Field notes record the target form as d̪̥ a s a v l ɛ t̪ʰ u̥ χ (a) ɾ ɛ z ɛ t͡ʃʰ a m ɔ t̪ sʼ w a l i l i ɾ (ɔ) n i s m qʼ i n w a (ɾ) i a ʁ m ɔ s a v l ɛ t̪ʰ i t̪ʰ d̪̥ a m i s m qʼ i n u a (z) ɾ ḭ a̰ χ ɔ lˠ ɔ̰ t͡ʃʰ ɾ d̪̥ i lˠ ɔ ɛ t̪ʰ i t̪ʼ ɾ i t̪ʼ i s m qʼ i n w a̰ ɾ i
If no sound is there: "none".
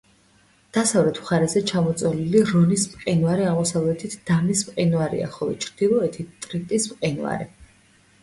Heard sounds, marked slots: a, ɔ, ɾ, none

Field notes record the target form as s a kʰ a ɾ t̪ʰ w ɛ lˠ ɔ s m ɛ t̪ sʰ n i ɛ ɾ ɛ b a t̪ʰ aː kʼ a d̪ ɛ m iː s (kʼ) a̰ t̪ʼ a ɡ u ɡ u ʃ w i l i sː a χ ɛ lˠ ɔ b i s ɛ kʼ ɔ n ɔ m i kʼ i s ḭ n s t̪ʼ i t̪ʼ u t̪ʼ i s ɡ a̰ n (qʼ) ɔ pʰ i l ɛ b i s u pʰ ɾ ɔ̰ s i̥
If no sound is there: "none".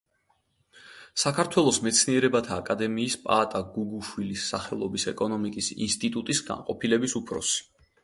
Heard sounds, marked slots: pʼ, qʼ

